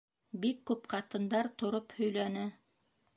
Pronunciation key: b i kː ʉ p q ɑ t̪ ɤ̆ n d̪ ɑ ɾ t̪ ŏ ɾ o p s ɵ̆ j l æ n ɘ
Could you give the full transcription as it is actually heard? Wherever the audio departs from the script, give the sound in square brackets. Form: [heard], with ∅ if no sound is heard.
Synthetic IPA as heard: b i kː ʉ p q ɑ t̪ ɤ̆ n d̪ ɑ ɾ t̪ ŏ ɾ o p [h] ɵ̆ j l æ n ɘ

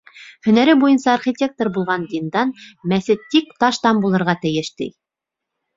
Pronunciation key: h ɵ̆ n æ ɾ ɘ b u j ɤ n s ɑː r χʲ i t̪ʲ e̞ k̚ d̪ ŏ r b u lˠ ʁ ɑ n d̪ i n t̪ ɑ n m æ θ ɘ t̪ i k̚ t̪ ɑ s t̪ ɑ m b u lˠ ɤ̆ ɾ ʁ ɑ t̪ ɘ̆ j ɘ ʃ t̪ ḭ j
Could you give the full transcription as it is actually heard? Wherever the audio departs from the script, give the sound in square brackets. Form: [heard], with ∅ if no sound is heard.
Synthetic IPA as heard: h ɵ̆ n æ ɾ ɘ b u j ɤ n s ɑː r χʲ i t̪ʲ e̞ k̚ [t̪] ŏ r b u lˠ ʁ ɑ n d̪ i n [d̪] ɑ n m æ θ ɘ t̪ i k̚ t̪ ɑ [ʃ] t̪ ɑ m b u lˠ ɤ̆ ɾ ʁ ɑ t̪ ɘ̆ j ɘ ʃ t̪ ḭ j

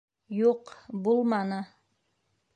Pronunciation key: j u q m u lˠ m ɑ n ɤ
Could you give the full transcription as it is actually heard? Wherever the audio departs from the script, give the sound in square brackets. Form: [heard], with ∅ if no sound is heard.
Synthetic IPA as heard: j u q [b] u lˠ m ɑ n ɤ

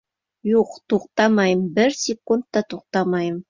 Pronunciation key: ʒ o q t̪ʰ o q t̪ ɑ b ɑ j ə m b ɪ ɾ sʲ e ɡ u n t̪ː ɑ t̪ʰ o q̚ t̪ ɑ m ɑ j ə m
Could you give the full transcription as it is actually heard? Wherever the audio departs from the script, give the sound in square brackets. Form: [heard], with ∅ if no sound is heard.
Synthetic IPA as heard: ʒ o q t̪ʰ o q t̪ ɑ [m] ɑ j ə m b ɪ ɾ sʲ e [k] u n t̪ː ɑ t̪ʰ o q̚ t̪ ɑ m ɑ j ə m

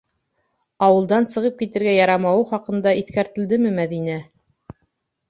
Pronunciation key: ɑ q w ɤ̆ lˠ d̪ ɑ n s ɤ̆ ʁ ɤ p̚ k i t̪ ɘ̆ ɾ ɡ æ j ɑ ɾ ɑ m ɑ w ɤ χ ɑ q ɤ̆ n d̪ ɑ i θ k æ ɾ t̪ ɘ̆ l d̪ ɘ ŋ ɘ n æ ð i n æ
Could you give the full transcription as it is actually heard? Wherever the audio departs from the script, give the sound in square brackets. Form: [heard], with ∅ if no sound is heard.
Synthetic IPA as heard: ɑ [∅] w ɤ̆ lˠ d̪ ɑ n s ɤ̆ ʁ ɤ p̚ k i t̪ ɘ̆ ɾ ɡ æ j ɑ ɾ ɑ m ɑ w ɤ χ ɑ q ɤ̆ n d̪ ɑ i θ k æ ɾ t̪ ɘ̆ l d̪ ɘ [m] ɘ [m] æ ð i n æ

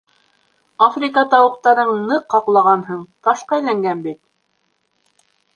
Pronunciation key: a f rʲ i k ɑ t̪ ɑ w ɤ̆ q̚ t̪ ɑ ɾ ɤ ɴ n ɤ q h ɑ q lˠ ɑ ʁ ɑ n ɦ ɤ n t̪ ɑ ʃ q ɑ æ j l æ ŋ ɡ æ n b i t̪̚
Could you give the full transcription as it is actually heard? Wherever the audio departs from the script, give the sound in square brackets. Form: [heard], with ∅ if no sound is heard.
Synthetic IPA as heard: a f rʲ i k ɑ t̪ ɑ w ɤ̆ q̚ t̪ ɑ ɾ ɤ ɴ n ɤ q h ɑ q lˠ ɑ ʁ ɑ n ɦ ɤ [ɴ] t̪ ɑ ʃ q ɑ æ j l æ ŋ ɡ æ n b i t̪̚

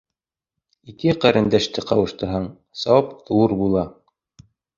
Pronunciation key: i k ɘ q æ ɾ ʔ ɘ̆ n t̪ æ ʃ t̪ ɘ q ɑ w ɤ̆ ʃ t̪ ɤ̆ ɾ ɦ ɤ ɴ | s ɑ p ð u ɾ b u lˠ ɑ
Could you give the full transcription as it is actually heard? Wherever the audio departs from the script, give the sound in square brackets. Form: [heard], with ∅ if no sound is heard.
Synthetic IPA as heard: i k ɘ q æ ɾ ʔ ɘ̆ n [d̪] æ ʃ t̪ ɘ q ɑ w ɤ̆ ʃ t̪ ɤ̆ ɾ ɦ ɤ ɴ | s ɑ p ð u ɾ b u lˠ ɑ

